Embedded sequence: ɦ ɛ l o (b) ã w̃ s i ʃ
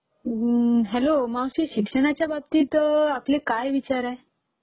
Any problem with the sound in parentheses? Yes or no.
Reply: yes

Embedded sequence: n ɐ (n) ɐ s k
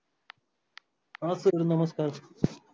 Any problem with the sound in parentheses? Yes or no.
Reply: yes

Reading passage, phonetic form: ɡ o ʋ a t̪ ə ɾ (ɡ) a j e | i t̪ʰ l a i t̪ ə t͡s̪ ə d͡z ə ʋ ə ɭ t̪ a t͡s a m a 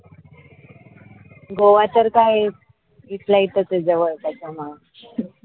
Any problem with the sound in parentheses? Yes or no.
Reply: yes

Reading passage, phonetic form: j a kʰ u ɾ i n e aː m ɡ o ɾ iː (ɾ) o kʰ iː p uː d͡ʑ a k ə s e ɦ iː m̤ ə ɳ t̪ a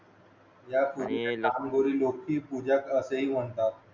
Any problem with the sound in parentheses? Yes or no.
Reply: yes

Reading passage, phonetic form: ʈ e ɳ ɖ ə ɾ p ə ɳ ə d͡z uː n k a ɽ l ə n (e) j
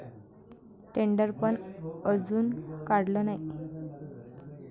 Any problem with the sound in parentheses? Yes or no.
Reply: yes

